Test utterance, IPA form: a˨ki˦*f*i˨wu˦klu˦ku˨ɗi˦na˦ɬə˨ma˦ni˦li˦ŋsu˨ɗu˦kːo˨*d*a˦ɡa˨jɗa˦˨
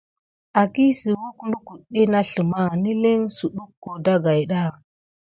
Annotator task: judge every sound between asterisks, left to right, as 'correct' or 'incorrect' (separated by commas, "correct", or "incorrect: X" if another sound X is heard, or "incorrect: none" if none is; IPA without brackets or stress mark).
incorrect: s, correct